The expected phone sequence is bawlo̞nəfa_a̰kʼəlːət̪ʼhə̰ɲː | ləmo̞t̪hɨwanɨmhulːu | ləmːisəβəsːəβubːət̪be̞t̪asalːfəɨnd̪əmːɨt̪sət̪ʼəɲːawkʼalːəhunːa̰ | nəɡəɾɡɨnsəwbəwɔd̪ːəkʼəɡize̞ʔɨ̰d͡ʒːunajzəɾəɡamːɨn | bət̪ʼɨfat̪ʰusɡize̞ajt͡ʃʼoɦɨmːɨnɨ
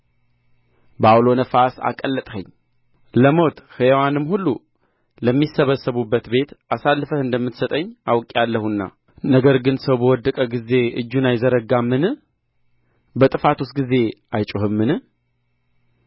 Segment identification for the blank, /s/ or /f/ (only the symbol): s